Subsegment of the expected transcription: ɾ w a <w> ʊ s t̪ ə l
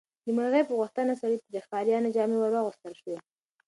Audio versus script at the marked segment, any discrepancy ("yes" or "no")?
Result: yes